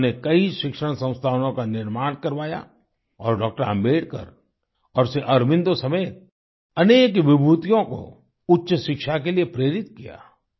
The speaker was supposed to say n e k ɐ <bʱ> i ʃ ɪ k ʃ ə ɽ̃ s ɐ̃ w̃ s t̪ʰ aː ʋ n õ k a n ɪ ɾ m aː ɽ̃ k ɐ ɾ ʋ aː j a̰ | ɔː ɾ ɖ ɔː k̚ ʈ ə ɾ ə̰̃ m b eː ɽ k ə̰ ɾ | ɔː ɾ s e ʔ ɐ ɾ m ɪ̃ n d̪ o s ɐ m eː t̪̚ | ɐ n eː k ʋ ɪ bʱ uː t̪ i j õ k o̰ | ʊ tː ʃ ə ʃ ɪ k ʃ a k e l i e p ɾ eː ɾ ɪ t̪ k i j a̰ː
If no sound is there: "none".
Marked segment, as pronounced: none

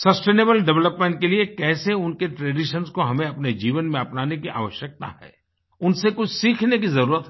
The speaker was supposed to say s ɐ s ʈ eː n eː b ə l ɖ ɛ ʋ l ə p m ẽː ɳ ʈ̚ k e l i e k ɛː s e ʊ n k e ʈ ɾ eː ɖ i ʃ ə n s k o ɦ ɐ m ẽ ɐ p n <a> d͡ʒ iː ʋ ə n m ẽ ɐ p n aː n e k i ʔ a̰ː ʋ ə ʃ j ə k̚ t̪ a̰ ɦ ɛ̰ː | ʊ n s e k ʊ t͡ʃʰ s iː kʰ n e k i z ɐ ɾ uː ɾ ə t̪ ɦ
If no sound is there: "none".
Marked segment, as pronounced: e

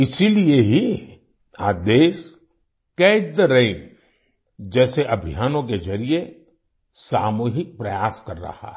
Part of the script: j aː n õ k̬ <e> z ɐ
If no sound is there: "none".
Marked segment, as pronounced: e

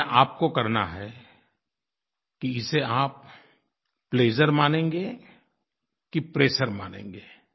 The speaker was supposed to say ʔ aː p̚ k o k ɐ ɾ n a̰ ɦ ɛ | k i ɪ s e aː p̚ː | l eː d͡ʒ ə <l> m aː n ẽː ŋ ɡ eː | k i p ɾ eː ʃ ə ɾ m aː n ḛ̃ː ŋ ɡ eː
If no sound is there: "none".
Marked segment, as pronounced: ɾ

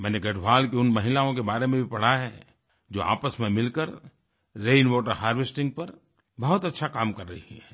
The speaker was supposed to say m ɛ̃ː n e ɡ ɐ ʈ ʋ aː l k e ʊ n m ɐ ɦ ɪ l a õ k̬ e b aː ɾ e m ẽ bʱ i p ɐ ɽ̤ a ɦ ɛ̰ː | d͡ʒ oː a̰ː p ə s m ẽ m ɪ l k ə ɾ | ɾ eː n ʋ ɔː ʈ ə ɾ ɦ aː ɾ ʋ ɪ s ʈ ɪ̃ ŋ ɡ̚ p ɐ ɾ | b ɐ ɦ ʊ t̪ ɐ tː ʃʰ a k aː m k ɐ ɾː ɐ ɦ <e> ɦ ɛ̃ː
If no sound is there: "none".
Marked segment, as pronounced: i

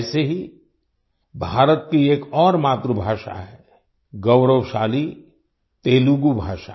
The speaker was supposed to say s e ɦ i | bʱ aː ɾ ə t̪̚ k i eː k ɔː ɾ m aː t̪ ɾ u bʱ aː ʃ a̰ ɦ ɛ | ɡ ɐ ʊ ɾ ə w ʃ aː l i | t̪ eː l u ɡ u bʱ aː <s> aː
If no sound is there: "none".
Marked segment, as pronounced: ʃ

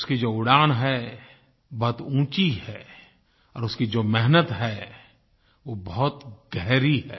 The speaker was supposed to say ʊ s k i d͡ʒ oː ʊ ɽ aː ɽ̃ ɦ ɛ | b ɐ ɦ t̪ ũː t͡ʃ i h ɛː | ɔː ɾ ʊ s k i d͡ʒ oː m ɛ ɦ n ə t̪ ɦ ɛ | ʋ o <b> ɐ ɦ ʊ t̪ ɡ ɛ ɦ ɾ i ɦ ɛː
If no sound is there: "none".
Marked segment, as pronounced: b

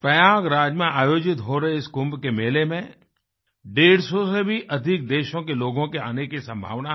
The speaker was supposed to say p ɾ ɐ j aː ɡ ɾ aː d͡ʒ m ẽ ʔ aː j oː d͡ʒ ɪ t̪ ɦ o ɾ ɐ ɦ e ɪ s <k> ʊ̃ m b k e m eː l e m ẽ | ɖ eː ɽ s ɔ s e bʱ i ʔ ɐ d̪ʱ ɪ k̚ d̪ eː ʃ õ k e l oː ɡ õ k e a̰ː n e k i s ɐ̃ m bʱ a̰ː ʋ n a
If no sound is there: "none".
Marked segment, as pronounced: k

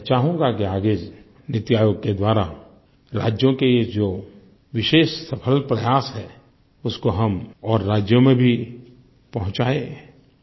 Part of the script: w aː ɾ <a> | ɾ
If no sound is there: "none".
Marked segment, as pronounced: a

